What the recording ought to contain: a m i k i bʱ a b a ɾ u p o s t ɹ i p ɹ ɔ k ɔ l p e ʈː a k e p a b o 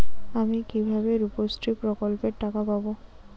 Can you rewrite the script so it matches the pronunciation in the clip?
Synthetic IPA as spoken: a m i k i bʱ a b e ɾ u p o s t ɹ i p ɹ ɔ k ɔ l p e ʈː a k a p a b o